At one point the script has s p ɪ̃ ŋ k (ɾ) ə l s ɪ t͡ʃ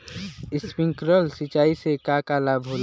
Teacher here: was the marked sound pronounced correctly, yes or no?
yes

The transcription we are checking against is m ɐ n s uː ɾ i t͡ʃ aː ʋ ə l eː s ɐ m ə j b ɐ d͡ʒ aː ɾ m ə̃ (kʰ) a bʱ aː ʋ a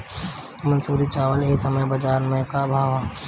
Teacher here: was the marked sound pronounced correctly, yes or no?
no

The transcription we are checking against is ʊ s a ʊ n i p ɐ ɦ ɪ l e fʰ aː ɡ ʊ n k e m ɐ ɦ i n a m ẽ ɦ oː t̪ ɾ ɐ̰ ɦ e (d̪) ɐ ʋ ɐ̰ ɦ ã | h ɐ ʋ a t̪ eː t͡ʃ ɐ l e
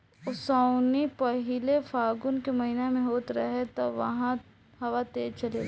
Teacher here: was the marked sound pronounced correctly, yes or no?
no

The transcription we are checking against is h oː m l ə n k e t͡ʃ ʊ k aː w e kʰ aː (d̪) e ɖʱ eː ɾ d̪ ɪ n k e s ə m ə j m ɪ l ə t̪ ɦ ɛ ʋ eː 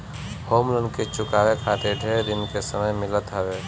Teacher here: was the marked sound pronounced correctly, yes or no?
no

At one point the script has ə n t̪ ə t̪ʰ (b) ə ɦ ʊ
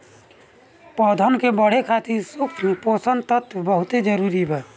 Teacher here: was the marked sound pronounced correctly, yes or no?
yes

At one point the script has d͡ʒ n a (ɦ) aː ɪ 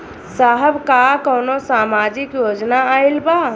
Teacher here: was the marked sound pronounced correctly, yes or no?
no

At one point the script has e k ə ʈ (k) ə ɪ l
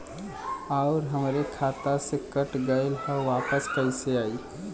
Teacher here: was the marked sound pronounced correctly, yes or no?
no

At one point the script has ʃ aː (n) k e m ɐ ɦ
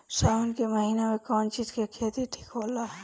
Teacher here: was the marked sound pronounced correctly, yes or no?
yes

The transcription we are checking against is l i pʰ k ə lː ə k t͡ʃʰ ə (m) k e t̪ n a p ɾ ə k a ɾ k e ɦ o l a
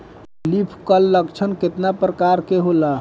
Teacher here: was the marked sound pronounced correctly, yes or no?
no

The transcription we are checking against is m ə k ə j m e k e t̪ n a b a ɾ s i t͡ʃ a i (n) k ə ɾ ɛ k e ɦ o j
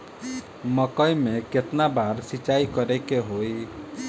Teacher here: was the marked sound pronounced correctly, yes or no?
no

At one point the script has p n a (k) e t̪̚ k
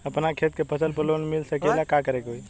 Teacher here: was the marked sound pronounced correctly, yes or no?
no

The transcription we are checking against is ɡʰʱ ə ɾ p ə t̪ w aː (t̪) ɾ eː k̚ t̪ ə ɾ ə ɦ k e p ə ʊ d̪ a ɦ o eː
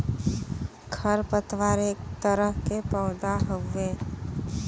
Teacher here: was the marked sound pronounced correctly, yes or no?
no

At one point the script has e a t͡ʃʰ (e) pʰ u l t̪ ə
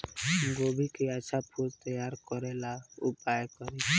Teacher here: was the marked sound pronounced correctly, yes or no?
no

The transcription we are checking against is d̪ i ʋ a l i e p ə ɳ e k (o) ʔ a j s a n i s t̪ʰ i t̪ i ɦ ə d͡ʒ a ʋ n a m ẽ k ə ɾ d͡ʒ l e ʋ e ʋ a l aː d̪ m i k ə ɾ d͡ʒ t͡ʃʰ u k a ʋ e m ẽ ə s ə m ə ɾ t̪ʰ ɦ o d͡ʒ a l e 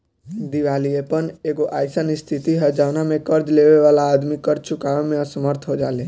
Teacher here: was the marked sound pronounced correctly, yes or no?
yes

